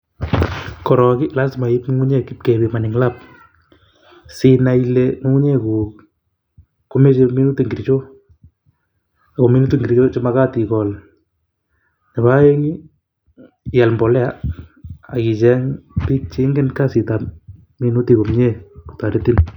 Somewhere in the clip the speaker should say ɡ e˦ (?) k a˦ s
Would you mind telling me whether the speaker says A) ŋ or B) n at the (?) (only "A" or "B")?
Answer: B